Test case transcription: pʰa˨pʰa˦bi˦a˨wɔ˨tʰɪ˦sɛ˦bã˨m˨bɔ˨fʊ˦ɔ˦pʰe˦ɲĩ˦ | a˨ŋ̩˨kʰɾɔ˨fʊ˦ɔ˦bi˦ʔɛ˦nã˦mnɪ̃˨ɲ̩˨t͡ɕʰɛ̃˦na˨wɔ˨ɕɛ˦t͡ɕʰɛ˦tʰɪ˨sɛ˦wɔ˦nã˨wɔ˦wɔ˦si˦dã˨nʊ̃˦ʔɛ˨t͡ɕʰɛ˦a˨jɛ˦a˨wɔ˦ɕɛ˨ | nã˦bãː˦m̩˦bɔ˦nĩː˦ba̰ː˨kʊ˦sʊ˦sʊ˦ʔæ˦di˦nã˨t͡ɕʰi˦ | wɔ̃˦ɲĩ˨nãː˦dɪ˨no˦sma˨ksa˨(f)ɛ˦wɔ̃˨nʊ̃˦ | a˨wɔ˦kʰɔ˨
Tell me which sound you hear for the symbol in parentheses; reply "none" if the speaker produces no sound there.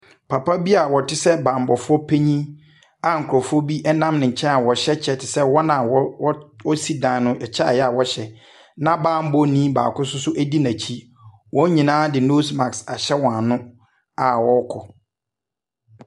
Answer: ɕ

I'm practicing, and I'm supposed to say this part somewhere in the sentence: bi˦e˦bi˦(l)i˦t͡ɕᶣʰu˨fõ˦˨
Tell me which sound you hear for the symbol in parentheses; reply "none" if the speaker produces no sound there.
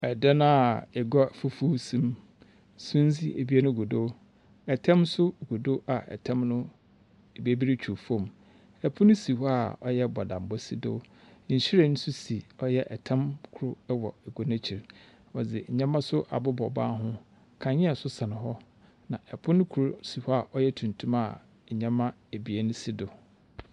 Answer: ɾ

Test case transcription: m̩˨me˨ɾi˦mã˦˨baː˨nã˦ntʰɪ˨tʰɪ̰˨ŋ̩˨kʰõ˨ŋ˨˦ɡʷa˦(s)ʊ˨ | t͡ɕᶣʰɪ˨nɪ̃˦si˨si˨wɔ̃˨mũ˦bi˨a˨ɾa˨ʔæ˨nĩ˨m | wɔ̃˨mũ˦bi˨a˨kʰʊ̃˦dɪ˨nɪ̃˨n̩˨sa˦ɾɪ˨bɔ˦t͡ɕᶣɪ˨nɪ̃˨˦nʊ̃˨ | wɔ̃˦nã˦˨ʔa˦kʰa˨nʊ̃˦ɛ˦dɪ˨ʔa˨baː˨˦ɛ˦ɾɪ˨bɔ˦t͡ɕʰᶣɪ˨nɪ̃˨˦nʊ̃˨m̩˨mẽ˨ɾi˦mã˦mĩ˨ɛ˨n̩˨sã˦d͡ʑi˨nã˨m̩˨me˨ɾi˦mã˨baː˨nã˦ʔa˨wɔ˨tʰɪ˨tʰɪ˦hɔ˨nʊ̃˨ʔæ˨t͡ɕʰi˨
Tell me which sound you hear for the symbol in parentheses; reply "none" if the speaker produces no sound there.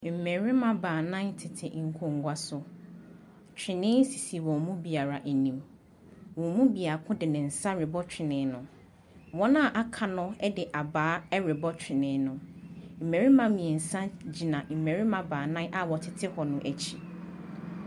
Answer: s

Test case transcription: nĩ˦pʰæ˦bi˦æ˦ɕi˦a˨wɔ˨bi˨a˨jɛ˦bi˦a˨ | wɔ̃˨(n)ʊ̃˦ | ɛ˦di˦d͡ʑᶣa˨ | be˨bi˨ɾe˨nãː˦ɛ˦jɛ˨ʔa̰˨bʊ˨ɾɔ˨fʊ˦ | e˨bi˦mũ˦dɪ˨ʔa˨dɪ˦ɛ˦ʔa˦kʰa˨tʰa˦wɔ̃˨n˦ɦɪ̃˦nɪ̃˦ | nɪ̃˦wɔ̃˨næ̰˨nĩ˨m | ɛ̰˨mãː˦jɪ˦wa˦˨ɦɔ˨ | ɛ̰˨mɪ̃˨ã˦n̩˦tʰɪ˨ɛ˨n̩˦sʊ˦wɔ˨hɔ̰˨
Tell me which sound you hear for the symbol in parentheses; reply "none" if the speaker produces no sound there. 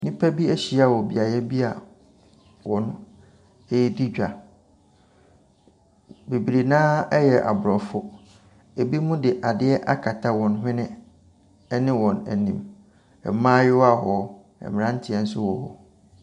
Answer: n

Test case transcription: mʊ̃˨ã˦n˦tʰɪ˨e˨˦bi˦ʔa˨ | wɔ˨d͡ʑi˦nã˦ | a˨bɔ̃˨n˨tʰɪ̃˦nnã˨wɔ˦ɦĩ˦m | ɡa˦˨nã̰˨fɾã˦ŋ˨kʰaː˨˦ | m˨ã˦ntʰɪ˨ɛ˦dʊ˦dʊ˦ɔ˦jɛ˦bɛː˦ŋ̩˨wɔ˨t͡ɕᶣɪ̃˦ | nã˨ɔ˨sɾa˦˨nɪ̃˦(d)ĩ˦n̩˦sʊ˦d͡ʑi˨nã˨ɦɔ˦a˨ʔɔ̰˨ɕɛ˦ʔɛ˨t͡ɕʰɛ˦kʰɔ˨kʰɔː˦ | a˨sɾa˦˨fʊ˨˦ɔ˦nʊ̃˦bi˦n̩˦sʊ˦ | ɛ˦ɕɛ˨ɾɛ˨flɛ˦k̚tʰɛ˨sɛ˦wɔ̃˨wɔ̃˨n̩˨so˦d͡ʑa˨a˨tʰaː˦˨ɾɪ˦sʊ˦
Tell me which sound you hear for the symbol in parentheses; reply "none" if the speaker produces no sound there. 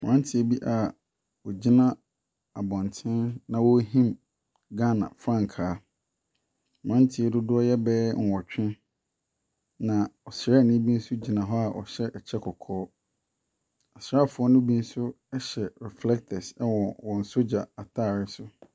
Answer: b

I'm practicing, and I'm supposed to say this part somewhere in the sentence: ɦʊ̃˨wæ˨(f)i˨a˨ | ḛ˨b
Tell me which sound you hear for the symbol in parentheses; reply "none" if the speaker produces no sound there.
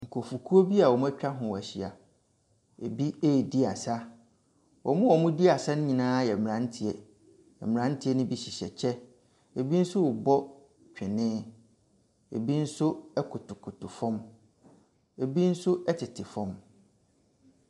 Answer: ɕ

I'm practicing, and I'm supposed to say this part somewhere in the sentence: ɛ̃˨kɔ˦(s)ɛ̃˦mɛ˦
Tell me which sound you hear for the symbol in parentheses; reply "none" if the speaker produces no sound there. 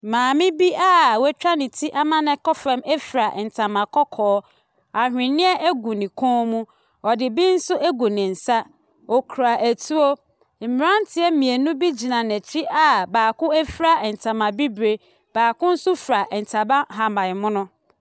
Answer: f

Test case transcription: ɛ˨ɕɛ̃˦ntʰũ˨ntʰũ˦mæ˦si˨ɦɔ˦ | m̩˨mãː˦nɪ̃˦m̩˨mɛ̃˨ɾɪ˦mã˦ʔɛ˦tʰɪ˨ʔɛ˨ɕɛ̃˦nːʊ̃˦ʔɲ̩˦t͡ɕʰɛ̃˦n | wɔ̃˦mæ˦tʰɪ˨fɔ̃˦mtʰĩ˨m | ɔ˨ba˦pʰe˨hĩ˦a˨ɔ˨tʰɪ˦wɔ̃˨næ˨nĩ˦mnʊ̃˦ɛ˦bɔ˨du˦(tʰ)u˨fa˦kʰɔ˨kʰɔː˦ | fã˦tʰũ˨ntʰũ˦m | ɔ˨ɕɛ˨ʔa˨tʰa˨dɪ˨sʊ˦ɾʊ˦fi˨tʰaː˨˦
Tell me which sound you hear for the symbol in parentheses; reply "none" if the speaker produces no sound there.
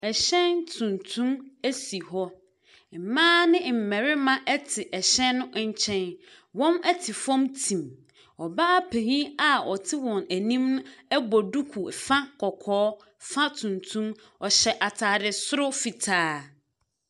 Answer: kʰ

